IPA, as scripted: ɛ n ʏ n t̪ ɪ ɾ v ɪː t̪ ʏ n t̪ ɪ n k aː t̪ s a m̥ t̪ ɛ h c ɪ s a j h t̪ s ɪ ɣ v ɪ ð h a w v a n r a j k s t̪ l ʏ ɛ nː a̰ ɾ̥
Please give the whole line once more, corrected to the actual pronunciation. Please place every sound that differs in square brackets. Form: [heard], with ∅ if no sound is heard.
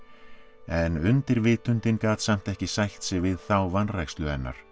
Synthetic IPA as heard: ɛ n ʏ n t̪ ɪ ɾ v ɪː t̪ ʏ n t̪ ɪ n k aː t̪ s a m̥ t̪ ɛ h c ɪ s a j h t̪ s ɪ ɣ v ɪ ð [θ] a w v a n r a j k s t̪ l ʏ ɛ nː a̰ ɾ̥